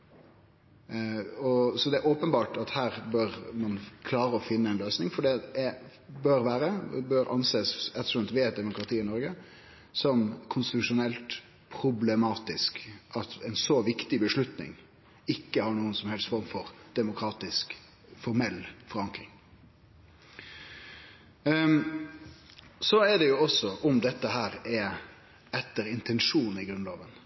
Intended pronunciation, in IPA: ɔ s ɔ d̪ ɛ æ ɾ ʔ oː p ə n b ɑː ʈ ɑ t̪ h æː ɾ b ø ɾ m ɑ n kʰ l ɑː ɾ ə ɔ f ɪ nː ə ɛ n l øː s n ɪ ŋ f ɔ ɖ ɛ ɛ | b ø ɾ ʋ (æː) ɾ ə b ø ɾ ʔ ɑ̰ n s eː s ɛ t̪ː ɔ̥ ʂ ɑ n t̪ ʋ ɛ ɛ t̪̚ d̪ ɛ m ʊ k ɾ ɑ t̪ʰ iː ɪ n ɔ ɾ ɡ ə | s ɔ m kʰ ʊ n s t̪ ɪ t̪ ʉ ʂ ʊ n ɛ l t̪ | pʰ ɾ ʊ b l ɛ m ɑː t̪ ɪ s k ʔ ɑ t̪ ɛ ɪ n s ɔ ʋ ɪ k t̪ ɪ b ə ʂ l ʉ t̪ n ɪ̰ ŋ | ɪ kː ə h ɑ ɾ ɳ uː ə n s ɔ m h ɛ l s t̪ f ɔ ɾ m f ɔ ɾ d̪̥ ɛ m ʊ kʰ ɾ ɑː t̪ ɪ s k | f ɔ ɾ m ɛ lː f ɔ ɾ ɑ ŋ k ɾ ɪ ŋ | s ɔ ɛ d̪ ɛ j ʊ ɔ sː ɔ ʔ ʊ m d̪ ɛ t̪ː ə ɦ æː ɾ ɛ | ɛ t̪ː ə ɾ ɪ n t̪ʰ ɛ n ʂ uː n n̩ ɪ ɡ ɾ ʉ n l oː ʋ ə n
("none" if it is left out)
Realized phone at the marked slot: æː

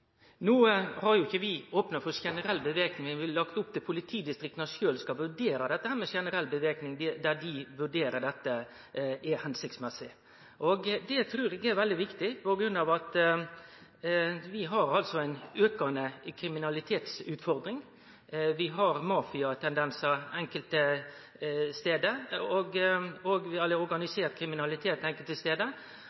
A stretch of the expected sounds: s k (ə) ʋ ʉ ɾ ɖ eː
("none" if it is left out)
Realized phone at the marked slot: ɑ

